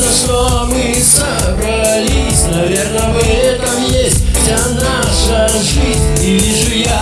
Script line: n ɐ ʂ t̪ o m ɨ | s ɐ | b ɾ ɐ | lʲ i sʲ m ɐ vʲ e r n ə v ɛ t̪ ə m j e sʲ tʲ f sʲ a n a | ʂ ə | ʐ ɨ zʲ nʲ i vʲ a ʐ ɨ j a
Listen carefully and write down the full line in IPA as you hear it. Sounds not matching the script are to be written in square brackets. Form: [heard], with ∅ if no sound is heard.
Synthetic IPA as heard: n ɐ ʂ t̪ o m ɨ | s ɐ | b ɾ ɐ | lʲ i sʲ [n] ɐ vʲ e r n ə v ɛ t̪ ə m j e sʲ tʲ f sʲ a n a | ʂ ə | ʐ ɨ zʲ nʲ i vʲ [i] ʐ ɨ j a